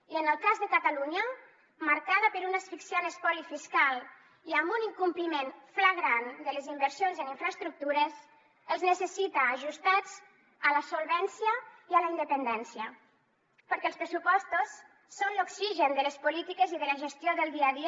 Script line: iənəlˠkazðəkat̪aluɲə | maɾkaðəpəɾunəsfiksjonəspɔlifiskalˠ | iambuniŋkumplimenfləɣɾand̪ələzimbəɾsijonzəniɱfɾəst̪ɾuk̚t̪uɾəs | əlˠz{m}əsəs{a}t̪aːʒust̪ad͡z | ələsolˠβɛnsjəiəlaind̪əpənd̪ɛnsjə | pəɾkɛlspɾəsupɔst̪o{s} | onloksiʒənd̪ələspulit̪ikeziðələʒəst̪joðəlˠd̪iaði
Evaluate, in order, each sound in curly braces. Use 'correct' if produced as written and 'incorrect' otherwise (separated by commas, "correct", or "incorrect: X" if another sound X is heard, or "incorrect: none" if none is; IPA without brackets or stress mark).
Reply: incorrect: n, incorrect: i, incorrect: sː